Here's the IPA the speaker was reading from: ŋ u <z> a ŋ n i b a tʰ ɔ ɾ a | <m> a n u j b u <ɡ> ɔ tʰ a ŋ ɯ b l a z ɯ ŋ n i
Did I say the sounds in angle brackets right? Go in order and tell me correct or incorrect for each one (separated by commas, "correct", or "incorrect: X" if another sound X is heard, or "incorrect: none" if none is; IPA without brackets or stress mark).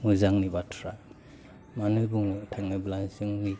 correct, correct, incorrect: ŋ